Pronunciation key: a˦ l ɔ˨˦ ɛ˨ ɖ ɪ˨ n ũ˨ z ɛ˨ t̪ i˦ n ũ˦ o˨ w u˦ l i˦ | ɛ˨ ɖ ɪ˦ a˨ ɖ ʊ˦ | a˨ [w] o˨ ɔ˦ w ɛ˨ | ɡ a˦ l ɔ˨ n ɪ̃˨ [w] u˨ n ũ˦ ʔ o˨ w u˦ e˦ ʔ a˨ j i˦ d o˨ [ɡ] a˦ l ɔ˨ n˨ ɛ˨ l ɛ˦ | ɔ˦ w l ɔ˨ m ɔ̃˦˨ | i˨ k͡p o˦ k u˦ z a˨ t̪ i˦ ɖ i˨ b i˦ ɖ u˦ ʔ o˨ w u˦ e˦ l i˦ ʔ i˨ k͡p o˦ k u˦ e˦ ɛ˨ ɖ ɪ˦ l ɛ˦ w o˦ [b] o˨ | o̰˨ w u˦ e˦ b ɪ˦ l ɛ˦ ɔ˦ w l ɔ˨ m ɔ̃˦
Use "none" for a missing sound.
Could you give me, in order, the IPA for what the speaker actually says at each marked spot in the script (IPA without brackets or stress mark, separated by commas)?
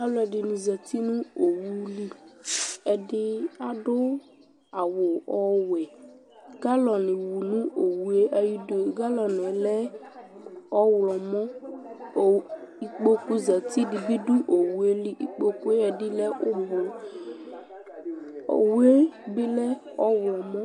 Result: w, w, ɡ, b